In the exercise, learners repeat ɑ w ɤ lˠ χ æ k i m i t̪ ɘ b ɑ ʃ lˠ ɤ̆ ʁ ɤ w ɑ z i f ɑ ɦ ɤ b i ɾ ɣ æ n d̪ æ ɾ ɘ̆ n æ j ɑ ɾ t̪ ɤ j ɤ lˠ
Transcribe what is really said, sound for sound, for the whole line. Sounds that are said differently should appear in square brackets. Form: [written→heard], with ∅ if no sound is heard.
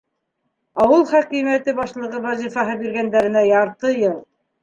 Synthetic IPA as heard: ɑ w ɤ lˠ χ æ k i m [i→æ] t̪ ɘ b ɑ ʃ lˠ ɤ̆ ʁ ɤ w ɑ z i f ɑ ɦ ɤ b i ɾ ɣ æ n d̪ æ ɾ ɘ̆ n æ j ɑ ɾ t̪ ɤ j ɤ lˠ